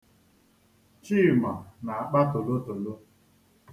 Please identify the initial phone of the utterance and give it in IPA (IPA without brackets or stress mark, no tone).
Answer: t͡ʃ